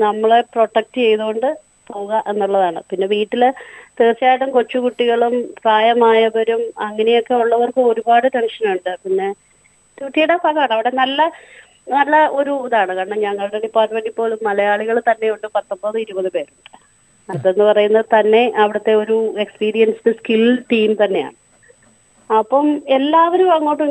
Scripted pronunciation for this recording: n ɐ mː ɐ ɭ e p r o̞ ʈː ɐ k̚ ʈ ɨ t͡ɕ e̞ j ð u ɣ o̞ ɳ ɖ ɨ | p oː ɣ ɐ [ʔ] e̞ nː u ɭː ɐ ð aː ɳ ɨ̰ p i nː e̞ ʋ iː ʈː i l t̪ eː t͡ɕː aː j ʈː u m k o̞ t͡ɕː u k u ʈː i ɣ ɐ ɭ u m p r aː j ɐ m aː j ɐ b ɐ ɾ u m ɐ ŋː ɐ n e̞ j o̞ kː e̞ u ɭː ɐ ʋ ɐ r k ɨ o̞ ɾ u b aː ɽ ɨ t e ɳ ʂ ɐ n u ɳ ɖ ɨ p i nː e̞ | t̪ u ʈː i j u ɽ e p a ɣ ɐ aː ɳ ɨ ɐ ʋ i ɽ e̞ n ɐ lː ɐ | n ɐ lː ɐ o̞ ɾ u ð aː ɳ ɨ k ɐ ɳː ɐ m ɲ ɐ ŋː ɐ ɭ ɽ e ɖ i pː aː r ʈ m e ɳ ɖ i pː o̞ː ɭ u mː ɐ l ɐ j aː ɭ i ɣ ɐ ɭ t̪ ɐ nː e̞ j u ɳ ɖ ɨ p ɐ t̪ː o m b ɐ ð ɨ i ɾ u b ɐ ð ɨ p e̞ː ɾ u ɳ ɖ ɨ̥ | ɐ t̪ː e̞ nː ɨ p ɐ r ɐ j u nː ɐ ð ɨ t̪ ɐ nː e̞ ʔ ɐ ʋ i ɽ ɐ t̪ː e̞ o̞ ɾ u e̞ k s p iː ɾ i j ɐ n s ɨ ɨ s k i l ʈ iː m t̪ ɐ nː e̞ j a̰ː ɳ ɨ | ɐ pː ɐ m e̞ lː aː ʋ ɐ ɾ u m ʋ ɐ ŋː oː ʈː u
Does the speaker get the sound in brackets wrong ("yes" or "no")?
no